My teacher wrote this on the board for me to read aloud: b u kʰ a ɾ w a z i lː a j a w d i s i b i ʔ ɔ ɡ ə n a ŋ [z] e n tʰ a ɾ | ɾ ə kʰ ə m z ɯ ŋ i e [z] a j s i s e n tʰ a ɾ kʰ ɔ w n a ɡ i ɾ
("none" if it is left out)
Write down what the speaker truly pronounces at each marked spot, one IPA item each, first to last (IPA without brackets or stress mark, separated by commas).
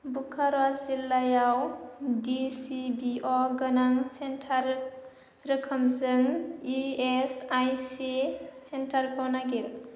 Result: s, s